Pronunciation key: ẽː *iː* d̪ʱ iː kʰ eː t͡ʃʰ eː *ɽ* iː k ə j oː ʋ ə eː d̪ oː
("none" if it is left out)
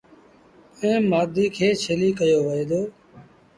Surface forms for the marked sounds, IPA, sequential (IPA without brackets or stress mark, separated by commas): aː, l